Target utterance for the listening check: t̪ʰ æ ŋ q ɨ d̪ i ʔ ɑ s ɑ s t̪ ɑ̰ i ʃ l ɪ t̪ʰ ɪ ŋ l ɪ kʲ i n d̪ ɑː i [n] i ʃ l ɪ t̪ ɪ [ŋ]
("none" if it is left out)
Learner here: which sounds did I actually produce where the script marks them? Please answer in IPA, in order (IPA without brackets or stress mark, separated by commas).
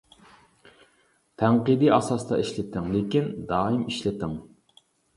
m, ŋ